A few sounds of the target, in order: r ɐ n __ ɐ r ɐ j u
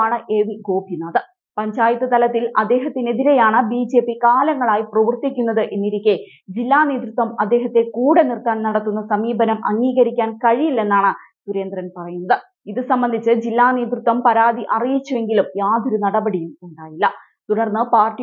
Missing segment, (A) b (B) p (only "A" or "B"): B